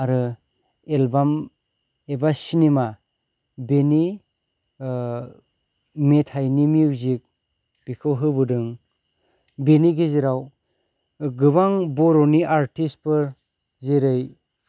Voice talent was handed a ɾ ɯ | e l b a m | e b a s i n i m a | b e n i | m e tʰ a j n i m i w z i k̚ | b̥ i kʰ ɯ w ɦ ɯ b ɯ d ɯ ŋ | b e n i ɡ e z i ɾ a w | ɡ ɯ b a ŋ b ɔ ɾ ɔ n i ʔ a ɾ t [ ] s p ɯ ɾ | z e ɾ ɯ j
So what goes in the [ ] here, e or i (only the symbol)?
i